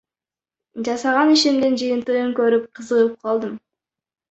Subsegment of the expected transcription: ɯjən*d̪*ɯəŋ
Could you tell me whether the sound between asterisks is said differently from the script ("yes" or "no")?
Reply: yes